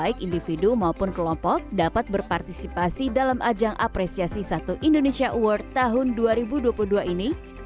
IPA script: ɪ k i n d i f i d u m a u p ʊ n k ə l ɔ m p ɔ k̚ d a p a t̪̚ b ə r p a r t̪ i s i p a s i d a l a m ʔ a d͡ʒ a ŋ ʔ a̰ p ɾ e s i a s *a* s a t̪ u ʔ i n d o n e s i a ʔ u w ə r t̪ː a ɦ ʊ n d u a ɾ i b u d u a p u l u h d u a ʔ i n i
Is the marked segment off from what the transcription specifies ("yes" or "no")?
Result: yes